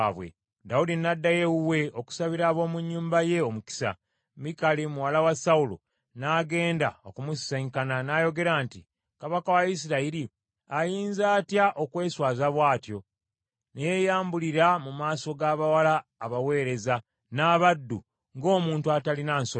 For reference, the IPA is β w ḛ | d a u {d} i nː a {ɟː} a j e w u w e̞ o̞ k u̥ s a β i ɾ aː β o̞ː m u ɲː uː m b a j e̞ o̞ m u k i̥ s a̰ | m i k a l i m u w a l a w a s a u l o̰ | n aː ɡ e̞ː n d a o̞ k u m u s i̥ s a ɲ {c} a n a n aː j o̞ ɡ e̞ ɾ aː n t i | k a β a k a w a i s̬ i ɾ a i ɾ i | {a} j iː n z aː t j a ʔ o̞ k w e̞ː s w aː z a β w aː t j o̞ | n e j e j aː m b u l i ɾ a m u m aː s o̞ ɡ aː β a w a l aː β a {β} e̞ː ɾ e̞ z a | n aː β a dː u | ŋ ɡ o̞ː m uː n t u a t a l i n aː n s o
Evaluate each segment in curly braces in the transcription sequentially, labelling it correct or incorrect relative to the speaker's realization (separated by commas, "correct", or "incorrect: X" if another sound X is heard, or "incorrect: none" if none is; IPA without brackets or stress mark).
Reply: correct, incorrect: dː, incorrect: k, correct, incorrect: w